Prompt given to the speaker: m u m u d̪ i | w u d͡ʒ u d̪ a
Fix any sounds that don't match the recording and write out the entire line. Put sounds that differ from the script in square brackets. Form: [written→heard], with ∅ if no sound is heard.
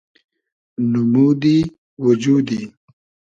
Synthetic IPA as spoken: [m→n] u m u d̪ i | w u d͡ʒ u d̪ [a→i]